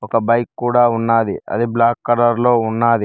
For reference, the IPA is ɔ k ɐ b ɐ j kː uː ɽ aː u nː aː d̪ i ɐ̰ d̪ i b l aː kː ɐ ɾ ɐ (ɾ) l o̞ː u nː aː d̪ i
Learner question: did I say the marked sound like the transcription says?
yes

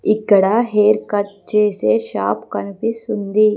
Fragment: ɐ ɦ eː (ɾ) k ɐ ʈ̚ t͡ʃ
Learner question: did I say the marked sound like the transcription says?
yes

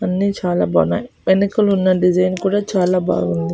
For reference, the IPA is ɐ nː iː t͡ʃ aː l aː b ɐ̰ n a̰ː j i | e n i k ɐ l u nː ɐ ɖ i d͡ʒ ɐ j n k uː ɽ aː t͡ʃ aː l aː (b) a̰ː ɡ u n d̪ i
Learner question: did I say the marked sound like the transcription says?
yes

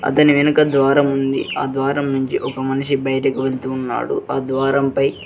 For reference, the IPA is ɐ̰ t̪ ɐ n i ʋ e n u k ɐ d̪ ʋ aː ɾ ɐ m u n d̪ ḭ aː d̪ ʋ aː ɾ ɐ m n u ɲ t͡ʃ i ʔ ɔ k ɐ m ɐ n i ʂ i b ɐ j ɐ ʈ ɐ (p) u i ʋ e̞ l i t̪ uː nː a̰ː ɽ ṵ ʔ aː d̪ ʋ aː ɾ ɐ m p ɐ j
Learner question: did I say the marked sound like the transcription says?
no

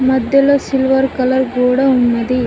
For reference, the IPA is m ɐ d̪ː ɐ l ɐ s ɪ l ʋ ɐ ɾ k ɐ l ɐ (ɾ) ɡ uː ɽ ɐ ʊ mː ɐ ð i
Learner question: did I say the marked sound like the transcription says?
yes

